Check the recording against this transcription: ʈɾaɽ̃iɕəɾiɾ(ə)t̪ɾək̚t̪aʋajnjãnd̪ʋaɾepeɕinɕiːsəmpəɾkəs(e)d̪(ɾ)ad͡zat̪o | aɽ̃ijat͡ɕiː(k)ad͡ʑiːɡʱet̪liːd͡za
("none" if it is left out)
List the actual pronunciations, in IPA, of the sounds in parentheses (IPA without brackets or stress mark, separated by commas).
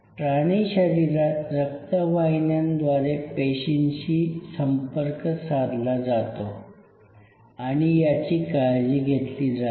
a, a, l, k